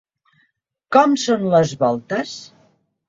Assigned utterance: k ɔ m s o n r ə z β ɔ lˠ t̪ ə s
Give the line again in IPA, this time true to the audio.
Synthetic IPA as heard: k ɔ m s o n l ə z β ɔ lˠ t̪ ə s

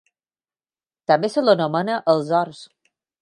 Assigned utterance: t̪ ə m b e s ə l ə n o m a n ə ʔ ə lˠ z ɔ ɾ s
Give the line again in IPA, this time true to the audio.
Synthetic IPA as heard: t̪ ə m b e s ə l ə n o m ə n ə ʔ ə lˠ z ɔ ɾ s

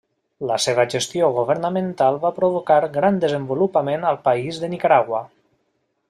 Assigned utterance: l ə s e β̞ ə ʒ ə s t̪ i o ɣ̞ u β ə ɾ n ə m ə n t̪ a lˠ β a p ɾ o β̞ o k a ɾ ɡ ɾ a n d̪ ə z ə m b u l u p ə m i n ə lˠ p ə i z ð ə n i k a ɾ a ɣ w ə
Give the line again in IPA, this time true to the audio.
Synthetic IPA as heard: l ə s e β̞ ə ʒ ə s t̪ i o ɣ̞ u β ə ɾ n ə m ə n t̪ a lˠ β a p ɾ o β̞ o k a ɾ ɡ ɾ a n d̪ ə z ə m b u l u p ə m e n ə lˠ p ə i z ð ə n i k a ɾ a ɣ w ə

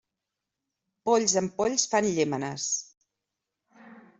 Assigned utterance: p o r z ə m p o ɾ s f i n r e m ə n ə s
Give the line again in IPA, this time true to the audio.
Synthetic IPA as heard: p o ʎ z ə m p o ʎ s f a n ʎ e m ə n ə s

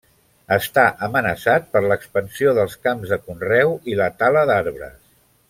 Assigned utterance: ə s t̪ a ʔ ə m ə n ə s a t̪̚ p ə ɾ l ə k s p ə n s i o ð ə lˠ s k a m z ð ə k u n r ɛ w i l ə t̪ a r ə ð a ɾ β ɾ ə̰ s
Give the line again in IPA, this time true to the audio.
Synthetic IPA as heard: ə s t̪ a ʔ ə m ə n ə s a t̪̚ p ə ɾ l ə k s p ə n s i o ð ə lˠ s k a m z ð ə k u n r ɛ w i l ə t̪ a l ə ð a ɾ β ɾ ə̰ s

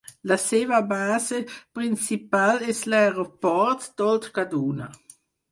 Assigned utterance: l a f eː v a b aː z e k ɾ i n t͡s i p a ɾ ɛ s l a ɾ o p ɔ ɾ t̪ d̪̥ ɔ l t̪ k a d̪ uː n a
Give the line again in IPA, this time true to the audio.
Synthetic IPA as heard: l a s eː v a b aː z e p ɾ i n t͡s i p a l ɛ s l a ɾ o p ɔ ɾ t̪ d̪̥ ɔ l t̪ k a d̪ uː n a

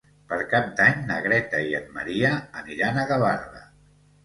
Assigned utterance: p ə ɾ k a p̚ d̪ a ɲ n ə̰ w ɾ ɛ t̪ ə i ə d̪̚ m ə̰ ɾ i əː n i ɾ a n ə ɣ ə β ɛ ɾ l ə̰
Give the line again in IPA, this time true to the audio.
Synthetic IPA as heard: p ə ɾ k a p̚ d̪ a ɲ n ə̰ ɣ ɾ ɛ t̪ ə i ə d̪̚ m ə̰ ɾ i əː n i ɾ a n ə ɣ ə β a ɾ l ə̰

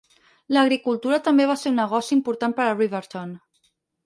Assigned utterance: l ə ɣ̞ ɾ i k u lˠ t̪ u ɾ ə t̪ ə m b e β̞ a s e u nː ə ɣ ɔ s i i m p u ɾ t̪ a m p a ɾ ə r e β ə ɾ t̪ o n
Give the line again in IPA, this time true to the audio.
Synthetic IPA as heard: l ə ɣ̞ ɾ i k u lˠ t̪ u ɾ ə t̪ ə m b e β̞ a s e u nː ə ɣ ɔ s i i m p u ɾ t̪ a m p ə ɾ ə r i β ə ɾ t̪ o n

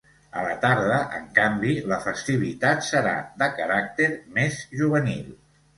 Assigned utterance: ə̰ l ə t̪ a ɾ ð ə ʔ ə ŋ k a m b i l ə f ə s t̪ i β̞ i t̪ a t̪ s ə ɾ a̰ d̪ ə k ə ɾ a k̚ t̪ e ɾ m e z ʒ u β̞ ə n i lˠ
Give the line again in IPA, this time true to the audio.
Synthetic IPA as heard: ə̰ l ə t̪ a ɾ ð ə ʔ ə ŋ k a m b i l ə f ə s t̪ i β̞ i t̪ a t̪ s ə ɾ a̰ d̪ ə k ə ɾ a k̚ t̪ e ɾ m e z ʒ u β̞ ə n i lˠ

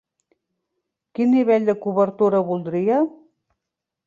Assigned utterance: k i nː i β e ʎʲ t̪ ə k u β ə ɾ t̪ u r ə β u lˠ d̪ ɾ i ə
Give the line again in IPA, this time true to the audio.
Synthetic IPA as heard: k i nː i β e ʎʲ d̪ ə k u β ə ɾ t̪ u ɾ ə β u lˠ d̪ ɾ i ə

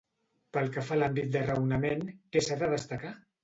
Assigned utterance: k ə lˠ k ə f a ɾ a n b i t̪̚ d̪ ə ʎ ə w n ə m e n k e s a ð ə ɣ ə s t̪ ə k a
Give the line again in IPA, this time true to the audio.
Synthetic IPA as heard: p ə lˠ k ə f a l a m b i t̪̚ d̪ ə r ə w n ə m e n k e s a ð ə ð ə s t̪ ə k a

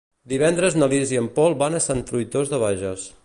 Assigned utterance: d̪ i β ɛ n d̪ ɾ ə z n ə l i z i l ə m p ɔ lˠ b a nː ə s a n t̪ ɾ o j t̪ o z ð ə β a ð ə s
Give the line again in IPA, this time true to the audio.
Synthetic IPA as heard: d̪ i β ɛ n d̪ ɾ ə z n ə l i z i ə m p ɔ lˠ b a n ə s a n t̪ ɾ u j t̪ o z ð ə β a ʒ ə s

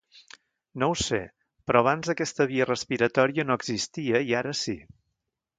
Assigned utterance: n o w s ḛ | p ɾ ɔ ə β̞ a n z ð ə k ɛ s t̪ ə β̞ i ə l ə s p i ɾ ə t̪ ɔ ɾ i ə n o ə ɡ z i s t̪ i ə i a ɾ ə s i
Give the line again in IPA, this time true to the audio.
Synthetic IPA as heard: n o w s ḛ | p ɾ ɔ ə β̞ a n z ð ə k ɛ s t̪ ə β̞ i ə r ə s p i ɾ ə t̪ ɔ ɾ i ə n o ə ɡ z i s t̪ i ə i a ɾ ə s i

